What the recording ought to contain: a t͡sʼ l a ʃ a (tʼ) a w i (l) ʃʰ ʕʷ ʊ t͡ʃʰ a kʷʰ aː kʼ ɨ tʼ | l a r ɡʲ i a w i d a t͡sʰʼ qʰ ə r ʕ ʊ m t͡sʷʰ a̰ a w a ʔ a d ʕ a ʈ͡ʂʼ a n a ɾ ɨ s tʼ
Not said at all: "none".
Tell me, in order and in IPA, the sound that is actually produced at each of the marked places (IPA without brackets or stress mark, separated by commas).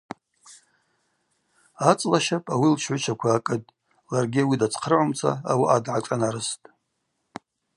pʼ, l